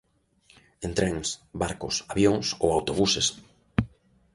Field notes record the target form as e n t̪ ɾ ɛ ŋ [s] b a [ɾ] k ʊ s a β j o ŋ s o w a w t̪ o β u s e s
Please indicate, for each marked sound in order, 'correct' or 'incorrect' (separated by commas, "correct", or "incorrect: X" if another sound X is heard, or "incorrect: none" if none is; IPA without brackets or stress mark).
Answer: correct, correct